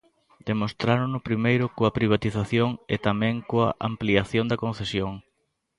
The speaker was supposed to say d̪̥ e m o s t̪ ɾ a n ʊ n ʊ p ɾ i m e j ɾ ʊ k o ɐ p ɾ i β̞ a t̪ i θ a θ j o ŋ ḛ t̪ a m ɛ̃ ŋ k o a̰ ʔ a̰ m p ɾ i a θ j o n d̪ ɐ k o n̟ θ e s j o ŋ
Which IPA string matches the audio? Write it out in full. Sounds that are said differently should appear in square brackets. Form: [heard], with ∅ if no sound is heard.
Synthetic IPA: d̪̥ e m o s t̪ ɾ a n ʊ n ʊ p ɾ i m e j ɾ ʊ k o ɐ p ɾ i β̞ a t̪ i θ a θ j o ŋ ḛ t̪ a m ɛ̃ ŋ k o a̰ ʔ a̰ m p [l] i a θ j o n d̪ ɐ k o n̟ θ e s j o ŋ

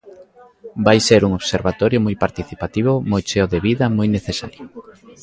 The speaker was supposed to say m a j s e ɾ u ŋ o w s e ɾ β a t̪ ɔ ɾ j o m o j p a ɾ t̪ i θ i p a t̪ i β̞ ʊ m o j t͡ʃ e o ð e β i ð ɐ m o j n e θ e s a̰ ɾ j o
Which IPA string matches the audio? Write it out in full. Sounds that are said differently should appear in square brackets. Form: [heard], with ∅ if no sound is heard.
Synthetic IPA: [b] a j s e ɾ u ŋ o [β] s e ɾ β a t̪ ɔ ɾ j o m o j p a ɾ t̪ i θ i p a t̪ i β̞ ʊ m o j t͡ʃ e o ð e β i ð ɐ m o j n e θ e s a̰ ɾ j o

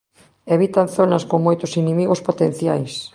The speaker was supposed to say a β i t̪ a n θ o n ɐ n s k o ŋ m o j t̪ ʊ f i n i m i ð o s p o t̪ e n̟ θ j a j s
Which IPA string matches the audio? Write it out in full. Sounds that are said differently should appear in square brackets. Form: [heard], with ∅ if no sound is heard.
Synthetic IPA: [e] β i t̪ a n θ o n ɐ [∅] s k o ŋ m o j t̪ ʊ [s] i n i m i [ɣ] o s p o t̪ e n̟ θ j a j s

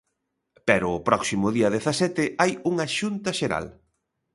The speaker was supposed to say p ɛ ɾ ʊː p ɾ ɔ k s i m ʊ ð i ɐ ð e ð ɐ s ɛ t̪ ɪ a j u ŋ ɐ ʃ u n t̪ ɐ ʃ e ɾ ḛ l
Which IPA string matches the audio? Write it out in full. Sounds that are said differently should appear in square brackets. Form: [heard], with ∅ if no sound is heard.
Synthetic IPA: p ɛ ɾ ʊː p ɾ ɔ k s i m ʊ ð i ɐ ð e [θ] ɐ s ɛ t̪ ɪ a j u ŋ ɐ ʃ u n t̪ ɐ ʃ e ɾ [a̰] l

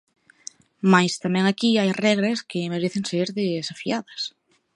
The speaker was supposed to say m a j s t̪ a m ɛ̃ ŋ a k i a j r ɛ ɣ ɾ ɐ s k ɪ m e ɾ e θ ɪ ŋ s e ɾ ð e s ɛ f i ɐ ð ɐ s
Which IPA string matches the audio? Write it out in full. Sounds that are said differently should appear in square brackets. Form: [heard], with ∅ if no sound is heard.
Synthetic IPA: m a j s t̪ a m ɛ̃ ŋ a k i a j r ɛ ɣ ɾ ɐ s k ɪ m e ɾ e θ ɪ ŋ s e ɾ ð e s [a] f i [a] ð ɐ s

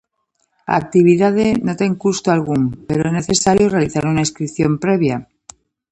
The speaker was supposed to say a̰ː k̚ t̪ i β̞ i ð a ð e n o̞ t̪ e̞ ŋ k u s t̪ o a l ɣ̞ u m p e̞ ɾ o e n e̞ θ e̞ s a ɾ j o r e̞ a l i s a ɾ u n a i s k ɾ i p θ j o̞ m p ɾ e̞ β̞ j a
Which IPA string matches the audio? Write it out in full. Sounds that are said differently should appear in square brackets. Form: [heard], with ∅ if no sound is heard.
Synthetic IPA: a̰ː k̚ t̪ i β̞ i ð a ð e n o̞ t̪ e̞ ŋ k u s t̪ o a l ɣ̞ u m p e̞ ɾ o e n e̞ θ e̞ s a ɾ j o r e̞ a l i [θ] a ɾ u n a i s k ɾ i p θ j o̞ m p ɾ e̞ β̞ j a

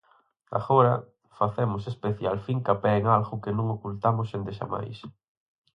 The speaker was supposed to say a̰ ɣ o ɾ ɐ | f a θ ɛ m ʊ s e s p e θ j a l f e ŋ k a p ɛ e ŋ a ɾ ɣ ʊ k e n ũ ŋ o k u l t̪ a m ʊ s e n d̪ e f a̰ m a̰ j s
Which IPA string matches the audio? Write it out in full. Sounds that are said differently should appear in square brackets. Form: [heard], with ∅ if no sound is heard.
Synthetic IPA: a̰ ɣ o ɾ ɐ | f a θ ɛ m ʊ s e s p e θ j a l f [i] ŋ k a p ɛ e ŋ a [l] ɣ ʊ k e n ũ ŋ o k u l t̪ a m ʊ s e n d̪ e [ʃ] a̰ m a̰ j s

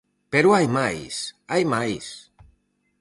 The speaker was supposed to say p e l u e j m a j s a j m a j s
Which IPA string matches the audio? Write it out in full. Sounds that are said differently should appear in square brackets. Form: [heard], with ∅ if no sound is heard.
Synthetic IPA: p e [ɾ] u [a] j m a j s a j m a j s

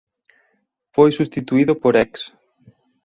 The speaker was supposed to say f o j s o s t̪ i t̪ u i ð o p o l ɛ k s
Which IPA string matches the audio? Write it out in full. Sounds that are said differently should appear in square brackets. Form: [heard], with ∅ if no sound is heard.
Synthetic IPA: f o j s [u] s t̪ i t̪ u i ð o p o [ɾ] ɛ k s

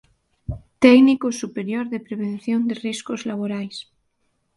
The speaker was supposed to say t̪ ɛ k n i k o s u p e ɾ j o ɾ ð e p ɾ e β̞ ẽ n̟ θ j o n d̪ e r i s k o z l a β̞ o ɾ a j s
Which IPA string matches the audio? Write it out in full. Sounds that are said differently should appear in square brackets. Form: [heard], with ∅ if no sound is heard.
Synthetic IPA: t̪ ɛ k n i k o s u p e ɾ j o ɾ ð e p ɾ e β̞ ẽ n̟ θ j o n d̪ e r i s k o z l a β̞ o ɾ a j s

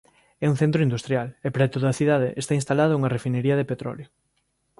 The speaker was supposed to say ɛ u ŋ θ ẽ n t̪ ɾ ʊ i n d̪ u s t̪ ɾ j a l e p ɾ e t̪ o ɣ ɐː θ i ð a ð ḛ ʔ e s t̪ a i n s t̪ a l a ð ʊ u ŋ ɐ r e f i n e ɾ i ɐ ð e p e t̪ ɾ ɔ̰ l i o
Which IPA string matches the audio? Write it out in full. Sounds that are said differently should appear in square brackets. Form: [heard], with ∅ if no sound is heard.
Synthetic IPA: ɛ u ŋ θ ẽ n t̪ ɾ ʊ i n d̪ u s t̪ ɾ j a l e p ɾ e t̪ o [ð] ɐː θ i ð a ð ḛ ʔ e s t̪ a i n s t̪ a l a ð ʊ u ŋ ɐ r e f i n e ɾ i ɐ ð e p e t̪ ɾ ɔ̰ l [j] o

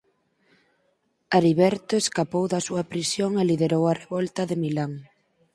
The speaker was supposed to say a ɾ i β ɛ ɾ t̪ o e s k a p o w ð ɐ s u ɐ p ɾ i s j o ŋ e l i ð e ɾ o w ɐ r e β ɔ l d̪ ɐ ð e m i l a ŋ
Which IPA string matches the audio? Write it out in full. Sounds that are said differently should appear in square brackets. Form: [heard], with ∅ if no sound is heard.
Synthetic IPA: a ɾ i β ɛ ɾ t̪ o e s k a p o w ð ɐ s u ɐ p ɾ i s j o ŋ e l i ð e ɾ o w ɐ r e β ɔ l [t̪] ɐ ð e m i l a ŋ

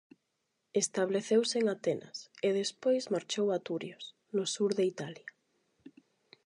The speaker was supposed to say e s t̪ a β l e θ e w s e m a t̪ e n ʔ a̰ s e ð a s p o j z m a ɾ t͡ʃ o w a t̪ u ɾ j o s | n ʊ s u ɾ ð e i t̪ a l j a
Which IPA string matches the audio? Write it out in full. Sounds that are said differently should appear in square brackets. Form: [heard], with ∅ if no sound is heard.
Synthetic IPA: e s t̪ a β l e θ e w s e [ŋ] a t̪ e n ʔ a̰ s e ð [e] s p o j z m a ɾ t͡ʃ o w a t̪ u ɾ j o s | n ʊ s u ɾ ð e i t̪ a l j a

